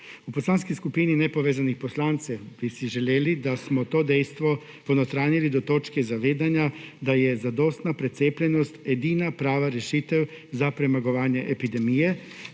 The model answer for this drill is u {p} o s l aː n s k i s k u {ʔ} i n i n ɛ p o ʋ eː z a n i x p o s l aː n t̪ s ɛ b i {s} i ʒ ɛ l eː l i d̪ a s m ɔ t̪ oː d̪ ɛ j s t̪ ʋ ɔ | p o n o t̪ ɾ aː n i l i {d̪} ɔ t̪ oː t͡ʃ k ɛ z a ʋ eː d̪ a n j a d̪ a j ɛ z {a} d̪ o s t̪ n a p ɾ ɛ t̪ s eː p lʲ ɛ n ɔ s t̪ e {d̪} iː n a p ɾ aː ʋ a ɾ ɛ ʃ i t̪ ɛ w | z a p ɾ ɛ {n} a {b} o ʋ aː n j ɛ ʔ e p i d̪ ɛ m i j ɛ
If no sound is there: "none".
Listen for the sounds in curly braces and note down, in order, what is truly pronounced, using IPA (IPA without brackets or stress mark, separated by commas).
p, p, s, d̪, a, d̪, m, ɡ